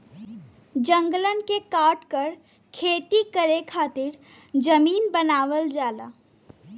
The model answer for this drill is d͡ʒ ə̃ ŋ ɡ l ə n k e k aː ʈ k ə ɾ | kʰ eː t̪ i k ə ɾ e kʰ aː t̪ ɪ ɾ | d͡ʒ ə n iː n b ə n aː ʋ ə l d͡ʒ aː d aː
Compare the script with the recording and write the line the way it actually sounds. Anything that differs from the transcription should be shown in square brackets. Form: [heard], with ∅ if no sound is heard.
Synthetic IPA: d͡ʒ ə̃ ŋ ɡ l ə n k e k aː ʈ k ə ɾ | kʰ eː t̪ i k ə ɾ e kʰ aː t̪ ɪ ɾ | d͡ʒ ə [m] iː n b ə n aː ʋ ə l d͡ʒ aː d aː

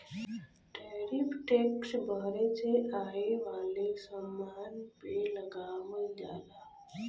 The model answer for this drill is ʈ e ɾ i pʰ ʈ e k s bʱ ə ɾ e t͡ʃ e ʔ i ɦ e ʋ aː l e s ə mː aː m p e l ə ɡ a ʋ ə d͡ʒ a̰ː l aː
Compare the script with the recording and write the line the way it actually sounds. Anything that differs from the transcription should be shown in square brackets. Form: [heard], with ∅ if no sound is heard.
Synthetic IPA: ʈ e ɾ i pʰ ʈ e k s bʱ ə ɾ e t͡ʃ e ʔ [a] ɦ e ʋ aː l e s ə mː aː [n] p e l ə ɡ a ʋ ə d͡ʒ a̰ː l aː

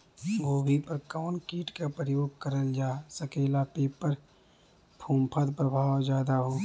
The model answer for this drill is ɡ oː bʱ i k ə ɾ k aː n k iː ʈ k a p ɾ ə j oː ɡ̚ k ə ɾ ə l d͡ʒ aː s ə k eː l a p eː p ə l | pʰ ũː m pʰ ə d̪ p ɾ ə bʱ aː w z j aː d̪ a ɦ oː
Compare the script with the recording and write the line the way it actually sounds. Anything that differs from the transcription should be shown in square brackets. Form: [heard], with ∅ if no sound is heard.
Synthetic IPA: ɡ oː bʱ i [p] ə ɾ k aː n k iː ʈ k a p ɾ ə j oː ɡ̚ k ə ɾ ə l d͡ʒ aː s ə k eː l a p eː p ə [ɾ] | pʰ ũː m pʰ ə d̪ p ɾ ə bʱ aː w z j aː d̪ a ɦ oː

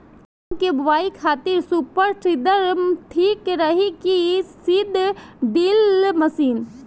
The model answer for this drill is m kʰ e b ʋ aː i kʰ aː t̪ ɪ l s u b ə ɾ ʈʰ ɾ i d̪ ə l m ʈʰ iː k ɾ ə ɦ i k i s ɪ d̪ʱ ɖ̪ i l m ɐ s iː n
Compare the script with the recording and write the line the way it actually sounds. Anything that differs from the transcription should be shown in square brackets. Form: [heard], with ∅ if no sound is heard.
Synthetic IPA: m [k] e b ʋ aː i kʰ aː t̪ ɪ [ɾ] s u [p] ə ɾ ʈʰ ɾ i d̪ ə [ɾ] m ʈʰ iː k ɾ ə ɦ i k i s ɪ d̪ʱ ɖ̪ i l m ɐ s iː n

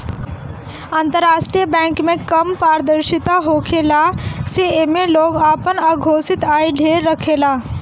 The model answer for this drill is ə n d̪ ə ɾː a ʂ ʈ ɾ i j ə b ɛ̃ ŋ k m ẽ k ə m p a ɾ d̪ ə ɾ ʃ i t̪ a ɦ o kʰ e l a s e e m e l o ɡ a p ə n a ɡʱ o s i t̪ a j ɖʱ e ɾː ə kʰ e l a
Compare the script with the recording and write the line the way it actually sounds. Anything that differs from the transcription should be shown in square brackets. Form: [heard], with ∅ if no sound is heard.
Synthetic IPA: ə n [t̪] ə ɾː a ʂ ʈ ɾ i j ə b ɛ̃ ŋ k m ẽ k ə m p a ɾ d̪ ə ɾ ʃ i t̪ a ɦ o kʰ e l a s e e m e l o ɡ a p ə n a ɡʱ o s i t̪ a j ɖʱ e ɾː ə kʰ e l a

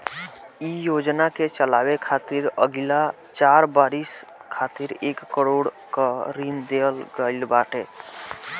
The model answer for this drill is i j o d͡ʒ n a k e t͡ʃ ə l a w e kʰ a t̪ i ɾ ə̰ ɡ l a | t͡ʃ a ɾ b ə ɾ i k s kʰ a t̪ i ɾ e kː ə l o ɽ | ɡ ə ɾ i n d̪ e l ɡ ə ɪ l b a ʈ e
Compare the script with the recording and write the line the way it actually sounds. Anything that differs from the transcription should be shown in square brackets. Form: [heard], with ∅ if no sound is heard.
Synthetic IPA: i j o d͡ʒ n a k e t͡ʃ ə l a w e kʰ a t̪ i ɾ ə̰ ɡ l a | t͡ʃ a ɾ b [a] ɾ i [∅] s kʰ a t̪ i ɾ e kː ə [ɾ] o ɽ | [k] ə ɾ i n d̪ e l ɡ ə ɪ l b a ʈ e

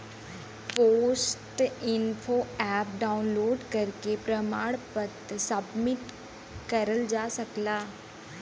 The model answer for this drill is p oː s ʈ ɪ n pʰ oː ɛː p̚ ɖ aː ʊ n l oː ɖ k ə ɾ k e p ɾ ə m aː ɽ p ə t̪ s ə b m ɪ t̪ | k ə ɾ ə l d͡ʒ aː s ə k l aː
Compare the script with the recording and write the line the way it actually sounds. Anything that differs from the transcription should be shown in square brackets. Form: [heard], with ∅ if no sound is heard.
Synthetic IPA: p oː s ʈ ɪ n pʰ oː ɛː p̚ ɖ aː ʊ n l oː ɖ k ə ɾ k e p ɾ ə m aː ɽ p ə t̪ s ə b m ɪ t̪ | k ə ɾ ə l d͡ʒ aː s ə k l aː

